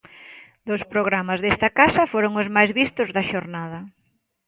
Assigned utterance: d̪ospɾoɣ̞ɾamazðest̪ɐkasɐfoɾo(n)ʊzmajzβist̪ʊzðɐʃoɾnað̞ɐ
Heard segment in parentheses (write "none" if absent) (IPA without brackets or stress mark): ŋ